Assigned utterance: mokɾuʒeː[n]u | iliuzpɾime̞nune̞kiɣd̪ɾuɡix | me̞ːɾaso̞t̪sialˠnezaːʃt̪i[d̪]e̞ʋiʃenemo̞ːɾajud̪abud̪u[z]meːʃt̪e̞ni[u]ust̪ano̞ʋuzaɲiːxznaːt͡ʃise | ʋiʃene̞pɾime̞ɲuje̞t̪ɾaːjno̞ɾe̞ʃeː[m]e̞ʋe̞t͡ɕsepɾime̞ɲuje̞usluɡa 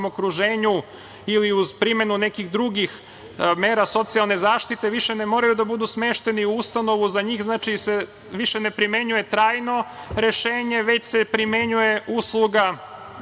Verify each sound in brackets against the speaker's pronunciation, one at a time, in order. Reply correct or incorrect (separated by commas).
incorrect, incorrect, incorrect, correct, incorrect